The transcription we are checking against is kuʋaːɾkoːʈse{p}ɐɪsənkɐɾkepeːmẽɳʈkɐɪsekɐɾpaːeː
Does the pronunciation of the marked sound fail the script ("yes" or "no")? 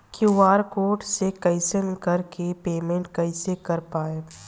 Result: yes